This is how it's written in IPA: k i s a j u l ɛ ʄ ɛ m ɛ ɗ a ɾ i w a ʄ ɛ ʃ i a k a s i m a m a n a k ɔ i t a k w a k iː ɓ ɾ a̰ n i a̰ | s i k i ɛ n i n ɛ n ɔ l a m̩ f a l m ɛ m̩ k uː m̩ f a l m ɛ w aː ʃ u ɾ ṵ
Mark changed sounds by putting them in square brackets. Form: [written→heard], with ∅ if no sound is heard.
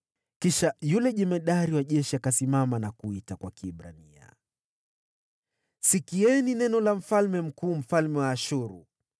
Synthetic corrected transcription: k i [s→ʃ] a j u l ɛ ʄ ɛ m ɛ ɗ a ɾ i w a ʄ ɛ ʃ i a k a s i m a m a n a k [ɔ→u] i t a k w a k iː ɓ ɾ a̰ n i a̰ | s i k i ɛ n i n ɛ n ɔ l a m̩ f a l m ɛ m̩ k uː m̩ f a l m ɛ w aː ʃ u ɾ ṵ

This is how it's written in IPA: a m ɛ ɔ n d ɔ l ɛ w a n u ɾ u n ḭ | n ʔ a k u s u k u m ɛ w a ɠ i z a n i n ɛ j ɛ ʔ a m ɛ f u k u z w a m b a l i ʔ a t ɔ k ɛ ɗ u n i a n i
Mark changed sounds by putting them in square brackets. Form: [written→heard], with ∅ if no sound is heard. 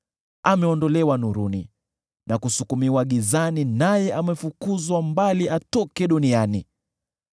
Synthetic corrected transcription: a m ɛ ɔ n d ɔ l ɛ w a n u ɾ u n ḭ | n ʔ a k u s u k u m [ɛ→i] w a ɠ i z a n i n [ɛ→a] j ɛ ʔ a m ɛ f u k u z w a m b a l i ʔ a t ɔ k ɛ ɗ u n i a n i

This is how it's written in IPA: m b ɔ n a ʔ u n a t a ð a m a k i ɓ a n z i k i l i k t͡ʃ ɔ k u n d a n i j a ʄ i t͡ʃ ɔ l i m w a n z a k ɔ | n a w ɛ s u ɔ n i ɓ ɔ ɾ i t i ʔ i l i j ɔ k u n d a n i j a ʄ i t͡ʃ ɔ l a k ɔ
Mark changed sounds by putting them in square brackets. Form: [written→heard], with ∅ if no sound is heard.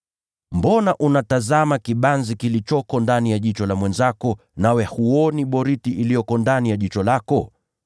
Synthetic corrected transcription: m b ɔ n a ʔ u n a t a [ð→z] a m a k i ɓ a n z i k i l i [k→∅] t͡ʃ ɔ k [u→ɔ] n d a n i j a ʄ i t͡ʃ ɔ l [i→a] m w [a→ɛ] n z a k ɔ | n a w ɛ [s→h] u ɔ n i ɓ ɔ ɾ i t i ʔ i l i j ɔ k [u→ɔ] n d a n i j a ʄ i t͡ʃ ɔ l a k ɔ

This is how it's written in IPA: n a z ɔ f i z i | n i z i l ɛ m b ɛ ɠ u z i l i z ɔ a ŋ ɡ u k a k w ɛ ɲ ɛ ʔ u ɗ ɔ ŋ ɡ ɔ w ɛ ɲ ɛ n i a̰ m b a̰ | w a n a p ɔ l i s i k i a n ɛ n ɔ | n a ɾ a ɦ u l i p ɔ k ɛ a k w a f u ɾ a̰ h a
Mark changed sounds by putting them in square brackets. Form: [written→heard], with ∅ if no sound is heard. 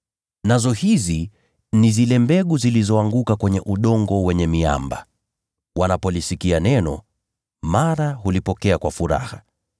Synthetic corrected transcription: n a z ɔ [f→h] i z i | n i z i l ɛ m b ɛ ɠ u z i l i z ɔ a ŋ ɡ u k a k w ɛ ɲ ɛ ʔ u ɗ ɔ ŋ ɡ ɔ w ɛ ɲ ɛ [n→m] i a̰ m b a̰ | w a n a p ɔ l i s i k i a n ɛ n ɔ | [n→m] a ɾ a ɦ u l i p ɔ k ɛ a k w a f u ɾ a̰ h a

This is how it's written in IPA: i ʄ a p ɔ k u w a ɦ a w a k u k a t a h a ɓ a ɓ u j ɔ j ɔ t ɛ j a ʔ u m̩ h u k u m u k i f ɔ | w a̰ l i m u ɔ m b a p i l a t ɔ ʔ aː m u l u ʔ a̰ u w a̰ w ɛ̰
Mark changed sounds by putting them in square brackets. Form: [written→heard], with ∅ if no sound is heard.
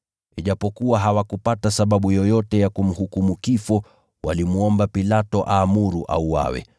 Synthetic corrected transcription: i ʄ a p ɔ k u w a ɦ a w a k u [k→p] a t a [h→s] a ɓ a ɓ u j ɔ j ɔ t ɛ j a [ʔ→k] u m̩ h u k u m u k i f ɔ | w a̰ l i m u ɔ m b a p i l a t ɔ ʔ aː m u [l→ɾ] u ʔ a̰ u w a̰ w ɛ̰

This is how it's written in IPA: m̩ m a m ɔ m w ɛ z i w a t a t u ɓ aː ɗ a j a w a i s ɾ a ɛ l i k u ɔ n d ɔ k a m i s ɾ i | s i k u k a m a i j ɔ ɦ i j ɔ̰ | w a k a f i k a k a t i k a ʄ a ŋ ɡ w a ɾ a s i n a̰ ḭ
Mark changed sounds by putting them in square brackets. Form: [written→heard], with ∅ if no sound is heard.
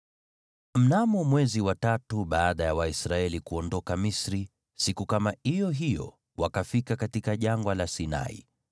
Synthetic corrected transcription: m̩ [m→n] a m ɔ m w ɛ z i w a t a t u ɓ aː ɗ a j a w a i s ɾ a ɛ l i k u ɔ n d ɔ k a m i s ɾ i | s i k u k a m a i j ɔ ɦ i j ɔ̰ | w a k a f i k a k a t i k a ʄ a ŋ ɡ w a [ɾ→l] a s i n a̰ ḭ

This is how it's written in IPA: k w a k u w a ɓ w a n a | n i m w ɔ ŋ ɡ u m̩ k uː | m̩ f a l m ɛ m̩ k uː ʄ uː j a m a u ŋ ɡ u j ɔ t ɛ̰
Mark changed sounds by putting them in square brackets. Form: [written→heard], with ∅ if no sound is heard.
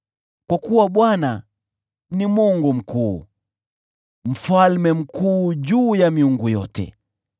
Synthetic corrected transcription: k w a k u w a ɓ w a n a | n i m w ɔ ŋ ɡ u m̩ k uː | m̩ f a l m ɛ m̩ k uː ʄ uː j a m [a→i] u ŋ ɡ u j ɔ t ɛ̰

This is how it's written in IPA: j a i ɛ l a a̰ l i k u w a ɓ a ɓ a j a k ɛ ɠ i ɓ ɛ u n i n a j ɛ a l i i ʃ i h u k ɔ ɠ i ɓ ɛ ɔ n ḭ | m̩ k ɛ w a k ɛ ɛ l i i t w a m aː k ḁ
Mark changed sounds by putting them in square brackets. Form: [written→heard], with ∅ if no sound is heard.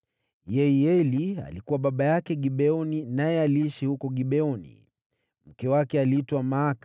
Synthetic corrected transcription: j [a→ɛ] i ɛ l [a→i] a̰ l i k u w a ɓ a ɓ a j a k ɛ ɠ i ɓ ɛ [u→ɔ] n i n a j ɛ a l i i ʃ i h u k ɔ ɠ i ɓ ɛ ɔ n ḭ | m̩ k ɛ w a k ɛ [ɛ→a] l i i t w a m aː k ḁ

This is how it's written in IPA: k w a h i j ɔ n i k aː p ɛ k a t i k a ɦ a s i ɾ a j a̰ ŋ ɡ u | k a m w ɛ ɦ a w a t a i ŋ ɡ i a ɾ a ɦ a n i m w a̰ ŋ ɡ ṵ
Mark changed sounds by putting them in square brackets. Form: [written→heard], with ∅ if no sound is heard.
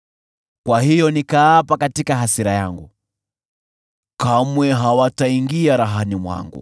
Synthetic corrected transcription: k w a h i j ɔ n i k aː p [ɛ→a] k a t i k a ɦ a s i ɾ a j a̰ ŋ ɡ u | k a m w ɛ ɦ a w a t a i ŋ ɡ i a ɾ a ɦ a n i m w a̰ ŋ ɡ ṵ

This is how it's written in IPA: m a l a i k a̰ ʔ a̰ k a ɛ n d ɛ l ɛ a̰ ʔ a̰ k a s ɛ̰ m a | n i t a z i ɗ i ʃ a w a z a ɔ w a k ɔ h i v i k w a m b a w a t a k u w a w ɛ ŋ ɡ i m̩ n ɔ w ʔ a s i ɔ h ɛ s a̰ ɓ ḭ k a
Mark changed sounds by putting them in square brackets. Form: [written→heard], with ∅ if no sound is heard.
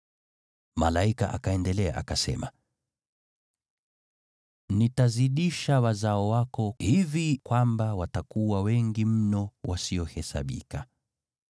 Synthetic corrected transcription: m a l a i k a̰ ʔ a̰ k a ɛ n d ɛ l ɛ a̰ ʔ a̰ k a s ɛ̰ m a | n i t a z i ɗ i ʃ a w a z a ɔ w a k ɔ h i v i k w a m b a w a t a k u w a w ɛ ŋ ɡ i m̩ n ɔ w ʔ a s i ɔ h ɛ s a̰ ɓ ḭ k a

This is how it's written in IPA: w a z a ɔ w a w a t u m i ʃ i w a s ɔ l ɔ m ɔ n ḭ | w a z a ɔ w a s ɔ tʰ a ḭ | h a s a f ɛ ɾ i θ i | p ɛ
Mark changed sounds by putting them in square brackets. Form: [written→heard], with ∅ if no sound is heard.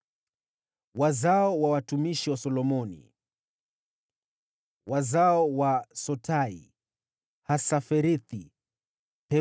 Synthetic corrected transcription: w a z a ɔ w a w a t u m i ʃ i w a s ɔ l ɔ m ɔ n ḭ | w a z a ɔ w a s ɔ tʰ a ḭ | h a s a f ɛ ɾ i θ i | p ɛ

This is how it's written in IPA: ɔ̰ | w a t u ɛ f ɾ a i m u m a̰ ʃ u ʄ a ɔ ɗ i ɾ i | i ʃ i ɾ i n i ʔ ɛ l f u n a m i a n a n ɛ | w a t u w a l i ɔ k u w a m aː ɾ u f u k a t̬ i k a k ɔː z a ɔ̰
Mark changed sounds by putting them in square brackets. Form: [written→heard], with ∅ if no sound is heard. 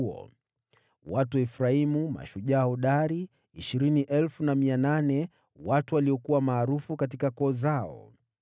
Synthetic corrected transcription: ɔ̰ | w a t u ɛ f ɾ a i m u m a̰ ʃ u ʄ a ɔ ɗ [i→a] ɾ i | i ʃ i ɾ i n i ʔ ɛ l f u n a m i a n a n ɛ | w a t u w a l i ɔ k u w a m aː ɾ u f u k a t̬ i k a k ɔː z a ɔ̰

